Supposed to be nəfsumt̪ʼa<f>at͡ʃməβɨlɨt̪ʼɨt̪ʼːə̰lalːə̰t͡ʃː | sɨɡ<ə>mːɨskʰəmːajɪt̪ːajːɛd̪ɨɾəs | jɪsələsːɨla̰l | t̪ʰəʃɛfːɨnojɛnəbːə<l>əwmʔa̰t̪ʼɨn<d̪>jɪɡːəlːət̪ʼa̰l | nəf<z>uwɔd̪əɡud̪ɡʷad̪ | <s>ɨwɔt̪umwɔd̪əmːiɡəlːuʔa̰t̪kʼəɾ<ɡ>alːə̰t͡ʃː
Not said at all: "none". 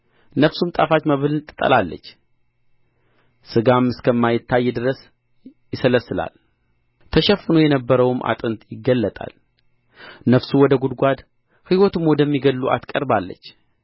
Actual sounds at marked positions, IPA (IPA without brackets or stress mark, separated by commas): f, a, ɾ, t̪, s, h, b